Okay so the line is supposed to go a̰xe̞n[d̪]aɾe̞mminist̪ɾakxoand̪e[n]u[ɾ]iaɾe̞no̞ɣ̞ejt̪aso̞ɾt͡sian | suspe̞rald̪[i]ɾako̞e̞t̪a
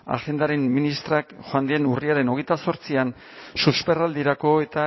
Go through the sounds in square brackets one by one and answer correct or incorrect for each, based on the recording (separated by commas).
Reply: correct, correct, incorrect, correct